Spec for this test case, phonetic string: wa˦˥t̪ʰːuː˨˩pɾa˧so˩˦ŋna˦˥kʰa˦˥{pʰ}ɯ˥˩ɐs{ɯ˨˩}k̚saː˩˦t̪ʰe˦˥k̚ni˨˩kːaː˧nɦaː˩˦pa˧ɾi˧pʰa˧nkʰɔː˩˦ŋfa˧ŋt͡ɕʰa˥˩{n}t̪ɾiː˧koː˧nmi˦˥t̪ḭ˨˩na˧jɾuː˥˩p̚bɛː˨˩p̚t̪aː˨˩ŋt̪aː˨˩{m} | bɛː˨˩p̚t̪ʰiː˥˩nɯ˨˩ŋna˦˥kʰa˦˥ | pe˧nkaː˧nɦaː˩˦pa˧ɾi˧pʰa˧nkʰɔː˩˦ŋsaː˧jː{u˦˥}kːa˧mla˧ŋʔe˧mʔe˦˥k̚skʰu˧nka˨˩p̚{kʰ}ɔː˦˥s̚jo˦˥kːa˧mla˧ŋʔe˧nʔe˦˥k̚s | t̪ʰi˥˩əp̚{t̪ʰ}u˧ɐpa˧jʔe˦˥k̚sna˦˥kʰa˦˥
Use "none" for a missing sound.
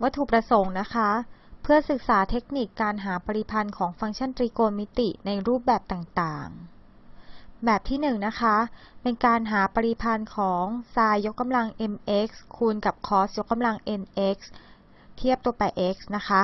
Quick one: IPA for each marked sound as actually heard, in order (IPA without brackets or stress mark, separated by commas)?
pʰ, ɯ˨˩, n, ŋ, o˦˥, kʰ, t̪